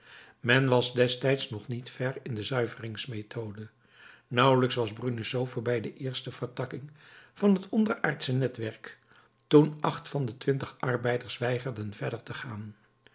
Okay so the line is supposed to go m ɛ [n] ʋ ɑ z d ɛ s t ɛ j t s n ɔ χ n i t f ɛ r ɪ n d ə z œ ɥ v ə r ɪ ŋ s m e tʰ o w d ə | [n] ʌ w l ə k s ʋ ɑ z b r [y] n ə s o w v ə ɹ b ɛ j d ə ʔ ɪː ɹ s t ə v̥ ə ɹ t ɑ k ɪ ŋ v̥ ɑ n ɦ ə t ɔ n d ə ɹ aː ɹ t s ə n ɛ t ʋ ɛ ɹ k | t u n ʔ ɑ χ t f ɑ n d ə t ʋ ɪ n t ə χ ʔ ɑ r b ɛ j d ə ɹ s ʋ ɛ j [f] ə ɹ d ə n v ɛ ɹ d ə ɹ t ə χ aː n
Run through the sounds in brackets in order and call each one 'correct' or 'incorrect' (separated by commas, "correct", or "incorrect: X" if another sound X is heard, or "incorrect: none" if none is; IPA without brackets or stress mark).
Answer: correct, correct, correct, incorrect: χ